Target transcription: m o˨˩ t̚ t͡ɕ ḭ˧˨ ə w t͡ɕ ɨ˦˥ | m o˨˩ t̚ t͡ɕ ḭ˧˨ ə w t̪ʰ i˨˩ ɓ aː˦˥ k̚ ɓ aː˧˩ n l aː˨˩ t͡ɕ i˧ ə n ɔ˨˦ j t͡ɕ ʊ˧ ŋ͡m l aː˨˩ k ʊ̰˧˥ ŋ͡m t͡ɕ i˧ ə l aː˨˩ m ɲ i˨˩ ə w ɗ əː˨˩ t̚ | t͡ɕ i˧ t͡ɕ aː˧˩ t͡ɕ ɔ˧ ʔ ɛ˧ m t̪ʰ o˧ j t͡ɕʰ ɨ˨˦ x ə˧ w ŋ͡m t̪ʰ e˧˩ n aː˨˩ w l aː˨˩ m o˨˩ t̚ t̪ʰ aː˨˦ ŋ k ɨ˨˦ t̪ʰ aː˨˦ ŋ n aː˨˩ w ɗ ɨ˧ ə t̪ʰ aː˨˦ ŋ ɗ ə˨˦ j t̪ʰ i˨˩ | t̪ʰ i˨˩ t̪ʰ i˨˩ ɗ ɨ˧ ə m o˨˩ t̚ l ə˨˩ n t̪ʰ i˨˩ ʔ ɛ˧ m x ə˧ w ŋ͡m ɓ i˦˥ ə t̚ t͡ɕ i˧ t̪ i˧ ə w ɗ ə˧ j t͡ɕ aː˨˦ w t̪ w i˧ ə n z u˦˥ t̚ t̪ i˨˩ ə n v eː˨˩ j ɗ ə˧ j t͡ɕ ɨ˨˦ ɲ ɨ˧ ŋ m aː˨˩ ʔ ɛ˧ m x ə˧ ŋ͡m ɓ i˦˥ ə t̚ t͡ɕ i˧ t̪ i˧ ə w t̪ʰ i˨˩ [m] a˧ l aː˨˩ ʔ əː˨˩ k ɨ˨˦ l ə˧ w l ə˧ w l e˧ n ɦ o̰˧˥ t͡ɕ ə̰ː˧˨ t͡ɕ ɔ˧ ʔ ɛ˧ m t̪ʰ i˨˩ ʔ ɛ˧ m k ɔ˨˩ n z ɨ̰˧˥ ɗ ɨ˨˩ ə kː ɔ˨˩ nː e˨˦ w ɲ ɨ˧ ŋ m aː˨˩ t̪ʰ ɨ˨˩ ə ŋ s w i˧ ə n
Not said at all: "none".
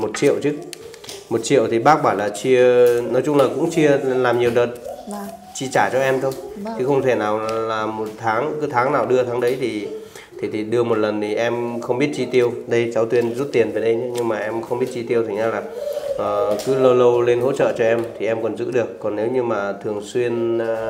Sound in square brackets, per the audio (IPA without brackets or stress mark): ɲ